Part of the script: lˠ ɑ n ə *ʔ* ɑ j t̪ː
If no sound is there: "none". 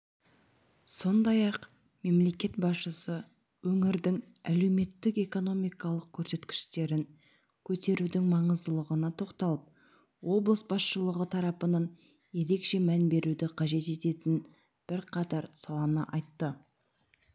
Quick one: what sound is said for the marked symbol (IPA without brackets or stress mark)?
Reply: ʔ